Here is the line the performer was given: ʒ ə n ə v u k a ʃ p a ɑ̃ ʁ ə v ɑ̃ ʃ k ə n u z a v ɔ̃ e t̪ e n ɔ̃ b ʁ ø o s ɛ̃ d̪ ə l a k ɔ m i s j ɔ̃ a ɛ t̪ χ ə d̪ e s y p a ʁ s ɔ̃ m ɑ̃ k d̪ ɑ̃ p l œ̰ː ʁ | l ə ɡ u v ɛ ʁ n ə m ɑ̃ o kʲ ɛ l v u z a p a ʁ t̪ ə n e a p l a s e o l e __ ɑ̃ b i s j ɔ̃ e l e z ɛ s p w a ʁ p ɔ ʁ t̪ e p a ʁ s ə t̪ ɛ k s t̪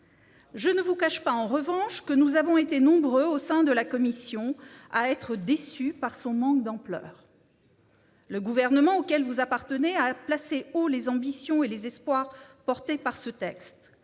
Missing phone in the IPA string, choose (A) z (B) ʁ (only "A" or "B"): A